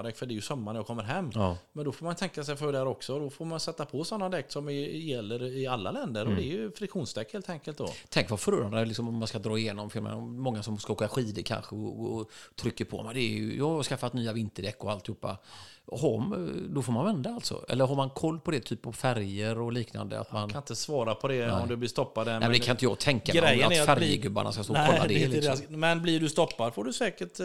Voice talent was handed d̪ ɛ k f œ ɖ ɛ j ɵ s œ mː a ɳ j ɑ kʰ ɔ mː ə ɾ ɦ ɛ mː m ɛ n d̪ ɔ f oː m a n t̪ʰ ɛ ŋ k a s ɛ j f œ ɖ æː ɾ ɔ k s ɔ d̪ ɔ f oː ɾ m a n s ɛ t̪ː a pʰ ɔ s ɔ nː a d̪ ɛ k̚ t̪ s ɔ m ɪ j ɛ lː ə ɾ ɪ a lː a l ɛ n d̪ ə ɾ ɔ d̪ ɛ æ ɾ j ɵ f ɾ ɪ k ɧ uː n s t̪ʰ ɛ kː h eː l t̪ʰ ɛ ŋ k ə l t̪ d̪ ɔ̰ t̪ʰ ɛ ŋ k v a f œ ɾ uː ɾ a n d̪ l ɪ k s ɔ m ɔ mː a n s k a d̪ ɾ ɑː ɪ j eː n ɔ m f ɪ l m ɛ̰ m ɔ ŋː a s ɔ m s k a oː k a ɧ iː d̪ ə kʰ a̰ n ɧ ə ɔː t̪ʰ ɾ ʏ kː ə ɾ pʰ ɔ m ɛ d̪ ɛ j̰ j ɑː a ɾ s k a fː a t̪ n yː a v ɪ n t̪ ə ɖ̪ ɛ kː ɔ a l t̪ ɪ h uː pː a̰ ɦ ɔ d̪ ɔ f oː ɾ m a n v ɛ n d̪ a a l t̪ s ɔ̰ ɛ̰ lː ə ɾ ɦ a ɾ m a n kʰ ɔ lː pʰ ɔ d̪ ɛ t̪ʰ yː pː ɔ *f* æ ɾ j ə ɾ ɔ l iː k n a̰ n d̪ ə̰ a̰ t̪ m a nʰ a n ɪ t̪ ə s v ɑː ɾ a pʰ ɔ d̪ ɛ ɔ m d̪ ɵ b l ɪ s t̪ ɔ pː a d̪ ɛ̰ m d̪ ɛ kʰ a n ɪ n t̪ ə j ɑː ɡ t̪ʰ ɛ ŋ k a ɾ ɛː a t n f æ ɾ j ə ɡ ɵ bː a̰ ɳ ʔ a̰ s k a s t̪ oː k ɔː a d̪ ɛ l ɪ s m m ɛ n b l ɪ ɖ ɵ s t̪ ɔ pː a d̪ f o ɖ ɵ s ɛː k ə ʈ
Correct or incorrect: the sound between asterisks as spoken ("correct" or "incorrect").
correct